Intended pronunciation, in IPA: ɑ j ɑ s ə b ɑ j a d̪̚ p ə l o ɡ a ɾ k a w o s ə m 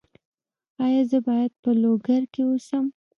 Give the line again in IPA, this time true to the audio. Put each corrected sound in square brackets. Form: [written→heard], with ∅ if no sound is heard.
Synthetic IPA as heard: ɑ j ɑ [s→z] ə b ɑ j a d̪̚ p ə l o ɡ a ɾ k [a→e] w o s ə m

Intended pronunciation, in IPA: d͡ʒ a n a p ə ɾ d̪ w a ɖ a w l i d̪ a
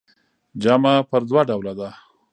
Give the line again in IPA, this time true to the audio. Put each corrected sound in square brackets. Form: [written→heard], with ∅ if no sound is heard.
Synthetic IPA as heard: d͡ʒ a [n→m] a p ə ɾ d̪ w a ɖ a w l [i→a] d̪ a

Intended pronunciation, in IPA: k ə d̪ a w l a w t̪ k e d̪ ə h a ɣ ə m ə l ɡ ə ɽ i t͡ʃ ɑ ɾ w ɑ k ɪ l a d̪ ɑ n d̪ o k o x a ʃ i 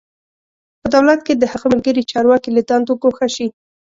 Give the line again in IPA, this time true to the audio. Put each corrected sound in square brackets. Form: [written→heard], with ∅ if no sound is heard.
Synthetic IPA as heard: [k→p] ə d̪ a w l a [w→∅] t̪ k e d̪ ə h a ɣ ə m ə l ɡ ə [ɽ→ɾ] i t͡ʃ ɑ ɾ w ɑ k [ɪ→i] l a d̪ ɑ n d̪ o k o x a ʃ i

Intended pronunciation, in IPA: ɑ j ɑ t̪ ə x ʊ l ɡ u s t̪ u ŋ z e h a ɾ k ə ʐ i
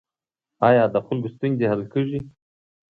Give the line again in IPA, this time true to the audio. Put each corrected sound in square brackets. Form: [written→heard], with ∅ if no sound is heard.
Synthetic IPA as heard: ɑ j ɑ [t̪→d̪] ə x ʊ l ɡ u s t̪ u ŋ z e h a [ɾ→l] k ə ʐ i

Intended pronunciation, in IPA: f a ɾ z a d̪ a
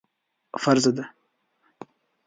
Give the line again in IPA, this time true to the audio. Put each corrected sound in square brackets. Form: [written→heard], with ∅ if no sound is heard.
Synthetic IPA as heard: f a ɾ z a d̪ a

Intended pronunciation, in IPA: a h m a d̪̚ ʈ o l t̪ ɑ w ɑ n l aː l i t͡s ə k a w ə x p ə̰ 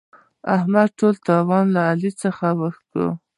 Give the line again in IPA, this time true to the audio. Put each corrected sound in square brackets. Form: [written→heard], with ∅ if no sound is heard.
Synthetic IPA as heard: a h m a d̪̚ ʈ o l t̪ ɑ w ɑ n l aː l i t͡s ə [k→x] a w ə x [p→k] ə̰

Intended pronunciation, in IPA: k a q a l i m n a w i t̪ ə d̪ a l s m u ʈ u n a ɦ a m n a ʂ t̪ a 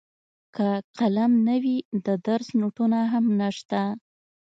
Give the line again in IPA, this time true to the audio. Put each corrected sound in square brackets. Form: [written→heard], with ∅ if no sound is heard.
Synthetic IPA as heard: k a q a l [i→a] m n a w i [t̪→d̪] ə d̪ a [l→ɾ] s [m→n] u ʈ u n a ɦ a m n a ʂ t̪ a

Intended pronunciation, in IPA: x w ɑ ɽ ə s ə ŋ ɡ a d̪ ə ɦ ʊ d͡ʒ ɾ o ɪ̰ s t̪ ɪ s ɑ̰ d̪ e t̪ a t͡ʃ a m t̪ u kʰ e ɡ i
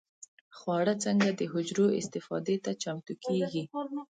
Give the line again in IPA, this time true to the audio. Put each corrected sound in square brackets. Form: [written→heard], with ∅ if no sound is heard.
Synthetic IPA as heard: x w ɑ ɽ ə [s→t͡s] ə ŋ ɡ a d̪ ə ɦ ʊ d͡ʒ ɾ o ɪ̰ s t̪ ɪ [s→f] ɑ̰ d̪ e t̪ a t͡ʃ a m t̪ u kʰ e ɡ i

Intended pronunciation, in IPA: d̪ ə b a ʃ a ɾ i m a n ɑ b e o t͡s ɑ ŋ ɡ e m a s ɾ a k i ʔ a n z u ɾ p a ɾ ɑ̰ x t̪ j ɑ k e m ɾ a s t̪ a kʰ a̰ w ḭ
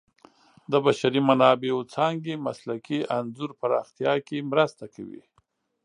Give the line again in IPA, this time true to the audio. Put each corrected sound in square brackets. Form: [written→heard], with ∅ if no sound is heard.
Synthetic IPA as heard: d̪ ə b a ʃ a ɾ i m a n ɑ b e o t͡s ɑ ŋ ɡ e m a s [ɾ→l] a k i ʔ a n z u ɾ p a ɾ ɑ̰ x t̪ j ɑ k e m ɾ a s t̪ a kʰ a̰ w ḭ

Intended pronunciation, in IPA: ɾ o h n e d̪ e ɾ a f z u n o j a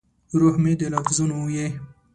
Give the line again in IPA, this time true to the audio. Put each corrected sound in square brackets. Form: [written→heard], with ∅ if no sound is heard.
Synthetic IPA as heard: ɾ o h [n→m] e d̪ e [ɾ→l] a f z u n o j [a→e]

